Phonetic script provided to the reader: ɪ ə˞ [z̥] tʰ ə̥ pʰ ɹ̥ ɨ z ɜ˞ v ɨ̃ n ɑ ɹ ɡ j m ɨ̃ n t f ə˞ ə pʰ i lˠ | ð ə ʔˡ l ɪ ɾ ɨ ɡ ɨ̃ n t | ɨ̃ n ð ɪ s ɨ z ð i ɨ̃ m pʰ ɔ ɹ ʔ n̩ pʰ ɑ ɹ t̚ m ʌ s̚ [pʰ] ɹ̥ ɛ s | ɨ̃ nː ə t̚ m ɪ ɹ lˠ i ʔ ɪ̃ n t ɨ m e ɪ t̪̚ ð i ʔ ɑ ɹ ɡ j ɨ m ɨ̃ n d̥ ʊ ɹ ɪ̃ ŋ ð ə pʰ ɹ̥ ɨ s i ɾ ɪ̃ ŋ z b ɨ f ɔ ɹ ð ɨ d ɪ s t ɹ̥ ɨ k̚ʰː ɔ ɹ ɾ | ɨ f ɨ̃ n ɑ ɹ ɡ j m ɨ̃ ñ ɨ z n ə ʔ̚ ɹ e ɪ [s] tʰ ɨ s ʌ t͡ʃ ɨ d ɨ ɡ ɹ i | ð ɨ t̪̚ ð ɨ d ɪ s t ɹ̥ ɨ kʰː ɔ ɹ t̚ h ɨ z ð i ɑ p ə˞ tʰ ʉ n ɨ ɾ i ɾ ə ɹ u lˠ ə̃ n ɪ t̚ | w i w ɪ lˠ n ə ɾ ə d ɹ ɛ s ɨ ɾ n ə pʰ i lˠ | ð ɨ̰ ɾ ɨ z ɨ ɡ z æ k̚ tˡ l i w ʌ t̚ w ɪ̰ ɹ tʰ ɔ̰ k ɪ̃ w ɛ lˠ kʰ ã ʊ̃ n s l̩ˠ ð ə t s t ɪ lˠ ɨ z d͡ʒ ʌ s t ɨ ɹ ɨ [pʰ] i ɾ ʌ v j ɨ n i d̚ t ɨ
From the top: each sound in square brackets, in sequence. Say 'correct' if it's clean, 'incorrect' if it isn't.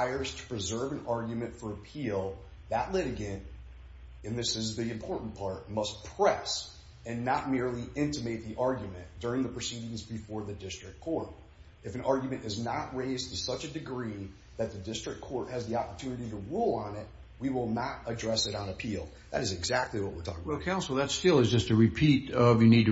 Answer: correct, correct, incorrect: z, correct

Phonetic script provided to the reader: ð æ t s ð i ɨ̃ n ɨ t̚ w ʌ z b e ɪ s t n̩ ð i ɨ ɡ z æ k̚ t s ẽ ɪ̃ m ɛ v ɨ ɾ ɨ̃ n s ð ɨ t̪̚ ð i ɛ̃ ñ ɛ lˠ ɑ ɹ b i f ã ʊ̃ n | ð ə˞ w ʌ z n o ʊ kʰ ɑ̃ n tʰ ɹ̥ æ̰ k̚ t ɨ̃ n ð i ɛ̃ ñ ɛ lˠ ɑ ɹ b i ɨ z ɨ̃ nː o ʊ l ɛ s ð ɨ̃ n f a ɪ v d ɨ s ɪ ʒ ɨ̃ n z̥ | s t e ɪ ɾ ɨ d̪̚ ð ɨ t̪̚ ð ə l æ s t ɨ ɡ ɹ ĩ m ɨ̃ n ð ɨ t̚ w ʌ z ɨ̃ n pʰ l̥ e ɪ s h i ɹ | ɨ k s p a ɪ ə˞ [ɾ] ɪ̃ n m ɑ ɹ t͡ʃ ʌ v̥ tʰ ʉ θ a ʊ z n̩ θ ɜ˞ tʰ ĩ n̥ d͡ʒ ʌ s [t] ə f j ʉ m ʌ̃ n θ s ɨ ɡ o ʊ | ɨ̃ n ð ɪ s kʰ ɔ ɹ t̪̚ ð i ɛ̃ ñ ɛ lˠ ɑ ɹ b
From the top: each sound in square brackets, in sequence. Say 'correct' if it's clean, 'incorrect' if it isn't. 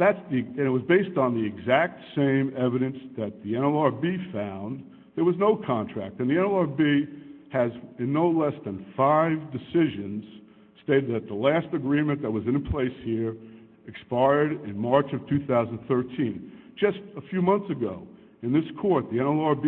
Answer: correct, correct

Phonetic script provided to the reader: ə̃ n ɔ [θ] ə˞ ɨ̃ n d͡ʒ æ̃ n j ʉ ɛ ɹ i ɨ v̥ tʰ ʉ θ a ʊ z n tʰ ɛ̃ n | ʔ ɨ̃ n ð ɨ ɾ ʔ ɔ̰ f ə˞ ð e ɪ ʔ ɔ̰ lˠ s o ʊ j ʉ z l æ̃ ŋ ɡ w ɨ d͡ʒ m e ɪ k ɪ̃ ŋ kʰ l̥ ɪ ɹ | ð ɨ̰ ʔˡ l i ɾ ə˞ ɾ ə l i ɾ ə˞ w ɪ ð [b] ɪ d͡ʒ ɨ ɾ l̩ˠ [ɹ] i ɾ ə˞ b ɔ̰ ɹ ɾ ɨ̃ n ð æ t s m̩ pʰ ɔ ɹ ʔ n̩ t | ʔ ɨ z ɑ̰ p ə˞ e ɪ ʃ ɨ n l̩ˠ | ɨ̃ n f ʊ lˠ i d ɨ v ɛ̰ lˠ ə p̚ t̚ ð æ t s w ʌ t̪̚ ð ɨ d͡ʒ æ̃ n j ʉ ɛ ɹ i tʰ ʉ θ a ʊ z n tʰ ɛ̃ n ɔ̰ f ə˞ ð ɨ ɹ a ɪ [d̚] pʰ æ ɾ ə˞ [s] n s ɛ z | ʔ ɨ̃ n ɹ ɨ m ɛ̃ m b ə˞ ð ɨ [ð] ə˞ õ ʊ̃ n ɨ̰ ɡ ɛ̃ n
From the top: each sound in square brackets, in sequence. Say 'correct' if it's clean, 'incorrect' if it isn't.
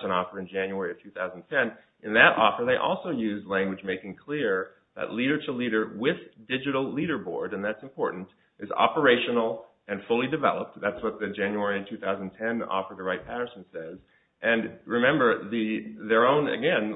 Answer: incorrect: f, incorrect: d, incorrect: l, incorrect: t̚, correct, correct

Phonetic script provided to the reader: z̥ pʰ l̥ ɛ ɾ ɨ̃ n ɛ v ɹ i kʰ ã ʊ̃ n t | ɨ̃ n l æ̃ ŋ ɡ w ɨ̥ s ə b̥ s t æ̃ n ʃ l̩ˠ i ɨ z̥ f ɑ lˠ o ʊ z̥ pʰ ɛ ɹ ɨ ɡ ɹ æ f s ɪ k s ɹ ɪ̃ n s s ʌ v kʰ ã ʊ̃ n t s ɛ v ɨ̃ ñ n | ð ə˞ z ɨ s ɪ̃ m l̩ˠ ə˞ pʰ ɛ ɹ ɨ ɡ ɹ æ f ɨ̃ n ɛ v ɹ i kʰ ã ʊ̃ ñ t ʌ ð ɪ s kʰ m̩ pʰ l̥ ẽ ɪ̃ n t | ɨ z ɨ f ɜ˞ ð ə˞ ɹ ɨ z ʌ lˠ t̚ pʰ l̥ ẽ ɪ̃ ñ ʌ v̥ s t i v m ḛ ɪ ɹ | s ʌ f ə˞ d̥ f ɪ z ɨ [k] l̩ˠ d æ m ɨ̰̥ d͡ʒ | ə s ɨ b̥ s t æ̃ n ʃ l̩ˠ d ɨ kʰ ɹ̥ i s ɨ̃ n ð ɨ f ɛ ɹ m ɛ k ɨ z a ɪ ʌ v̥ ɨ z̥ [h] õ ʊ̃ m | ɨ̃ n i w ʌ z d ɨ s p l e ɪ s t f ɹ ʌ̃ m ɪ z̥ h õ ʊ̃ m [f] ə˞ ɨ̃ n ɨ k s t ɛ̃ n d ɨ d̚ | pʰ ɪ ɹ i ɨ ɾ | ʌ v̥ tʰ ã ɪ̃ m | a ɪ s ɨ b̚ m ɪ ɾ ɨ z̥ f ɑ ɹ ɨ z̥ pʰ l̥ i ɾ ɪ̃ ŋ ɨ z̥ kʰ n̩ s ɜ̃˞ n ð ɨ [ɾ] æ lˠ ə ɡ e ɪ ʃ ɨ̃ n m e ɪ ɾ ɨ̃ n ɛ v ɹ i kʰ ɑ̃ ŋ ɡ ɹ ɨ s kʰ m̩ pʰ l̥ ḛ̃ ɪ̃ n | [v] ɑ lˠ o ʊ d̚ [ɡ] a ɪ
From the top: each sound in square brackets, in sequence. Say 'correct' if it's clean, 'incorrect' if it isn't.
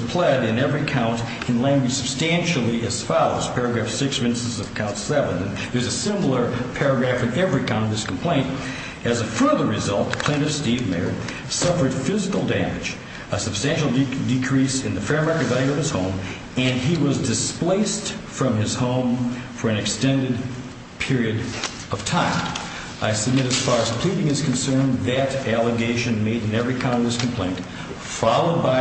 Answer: correct, correct, correct, correct, incorrect: f, incorrect: b

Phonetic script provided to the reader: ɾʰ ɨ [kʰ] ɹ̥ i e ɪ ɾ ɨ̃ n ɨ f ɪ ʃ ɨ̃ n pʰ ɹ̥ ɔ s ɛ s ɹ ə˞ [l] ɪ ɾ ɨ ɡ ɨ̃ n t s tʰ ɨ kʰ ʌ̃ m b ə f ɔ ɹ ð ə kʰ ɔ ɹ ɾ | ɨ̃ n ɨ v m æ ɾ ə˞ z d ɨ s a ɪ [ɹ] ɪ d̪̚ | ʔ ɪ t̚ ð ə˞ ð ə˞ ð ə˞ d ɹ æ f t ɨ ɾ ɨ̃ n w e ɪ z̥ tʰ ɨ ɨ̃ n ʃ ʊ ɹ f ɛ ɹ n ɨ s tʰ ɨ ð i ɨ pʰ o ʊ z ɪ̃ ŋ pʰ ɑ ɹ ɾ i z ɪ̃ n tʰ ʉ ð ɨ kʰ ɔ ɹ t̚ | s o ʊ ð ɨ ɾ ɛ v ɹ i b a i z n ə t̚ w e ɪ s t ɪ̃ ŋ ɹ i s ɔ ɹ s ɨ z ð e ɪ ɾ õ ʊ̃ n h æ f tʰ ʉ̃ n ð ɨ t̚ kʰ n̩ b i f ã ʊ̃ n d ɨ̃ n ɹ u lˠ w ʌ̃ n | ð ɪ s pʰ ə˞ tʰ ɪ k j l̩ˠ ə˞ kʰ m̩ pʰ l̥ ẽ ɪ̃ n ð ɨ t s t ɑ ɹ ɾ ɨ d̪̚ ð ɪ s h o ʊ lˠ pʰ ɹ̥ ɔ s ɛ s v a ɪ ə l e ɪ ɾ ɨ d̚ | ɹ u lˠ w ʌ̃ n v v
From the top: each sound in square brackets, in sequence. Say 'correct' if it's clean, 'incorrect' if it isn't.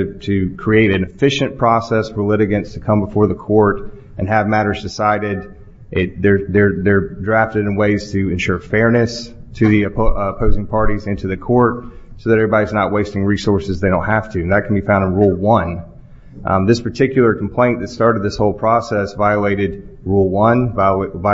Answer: correct, correct, incorrect: ɾ

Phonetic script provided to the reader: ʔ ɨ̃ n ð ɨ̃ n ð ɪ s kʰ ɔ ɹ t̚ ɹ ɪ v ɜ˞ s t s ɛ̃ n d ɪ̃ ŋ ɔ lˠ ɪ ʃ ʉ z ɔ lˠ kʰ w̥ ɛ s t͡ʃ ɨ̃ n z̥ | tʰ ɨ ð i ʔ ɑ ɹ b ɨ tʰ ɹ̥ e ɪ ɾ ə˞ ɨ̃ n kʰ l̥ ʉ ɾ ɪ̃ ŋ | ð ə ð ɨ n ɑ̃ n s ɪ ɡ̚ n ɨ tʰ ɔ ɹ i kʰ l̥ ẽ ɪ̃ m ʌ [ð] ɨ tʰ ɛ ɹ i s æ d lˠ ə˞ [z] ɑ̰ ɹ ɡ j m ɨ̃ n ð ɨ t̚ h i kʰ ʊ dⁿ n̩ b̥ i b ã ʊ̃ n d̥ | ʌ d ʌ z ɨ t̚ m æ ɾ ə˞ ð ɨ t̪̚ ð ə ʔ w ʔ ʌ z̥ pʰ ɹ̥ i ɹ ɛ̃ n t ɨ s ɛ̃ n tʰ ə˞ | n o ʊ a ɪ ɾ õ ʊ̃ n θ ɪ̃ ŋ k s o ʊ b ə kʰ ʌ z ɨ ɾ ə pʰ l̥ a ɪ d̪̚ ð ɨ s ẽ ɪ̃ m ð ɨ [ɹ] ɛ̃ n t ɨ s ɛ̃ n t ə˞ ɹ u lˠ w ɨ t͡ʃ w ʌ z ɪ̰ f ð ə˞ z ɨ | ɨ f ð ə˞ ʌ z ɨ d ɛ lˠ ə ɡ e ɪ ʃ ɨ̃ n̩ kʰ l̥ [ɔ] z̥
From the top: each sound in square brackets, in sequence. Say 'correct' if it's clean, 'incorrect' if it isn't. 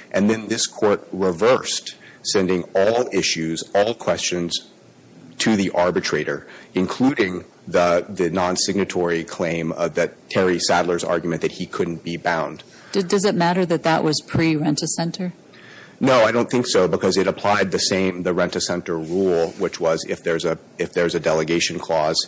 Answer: correct, correct, correct, correct

